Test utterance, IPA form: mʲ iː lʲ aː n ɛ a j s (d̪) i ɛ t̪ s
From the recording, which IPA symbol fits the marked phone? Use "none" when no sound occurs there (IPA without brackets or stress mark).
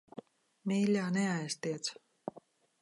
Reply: t̪